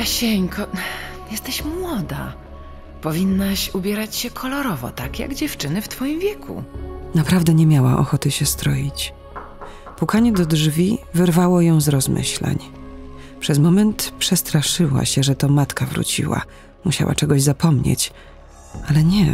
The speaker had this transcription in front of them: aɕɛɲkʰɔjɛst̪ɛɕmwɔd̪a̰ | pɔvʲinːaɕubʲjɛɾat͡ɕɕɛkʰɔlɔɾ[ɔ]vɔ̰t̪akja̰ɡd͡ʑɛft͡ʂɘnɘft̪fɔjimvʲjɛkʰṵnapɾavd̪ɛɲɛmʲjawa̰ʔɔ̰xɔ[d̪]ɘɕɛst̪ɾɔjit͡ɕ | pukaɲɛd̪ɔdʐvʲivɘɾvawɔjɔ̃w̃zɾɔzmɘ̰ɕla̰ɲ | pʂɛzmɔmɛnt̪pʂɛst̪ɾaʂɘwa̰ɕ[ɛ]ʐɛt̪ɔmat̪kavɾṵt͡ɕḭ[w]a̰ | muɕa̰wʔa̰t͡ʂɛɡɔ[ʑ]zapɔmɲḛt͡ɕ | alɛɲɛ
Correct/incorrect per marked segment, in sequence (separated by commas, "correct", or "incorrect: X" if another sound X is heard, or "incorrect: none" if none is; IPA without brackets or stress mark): correct, incorrect: t̪, correct, correct, correct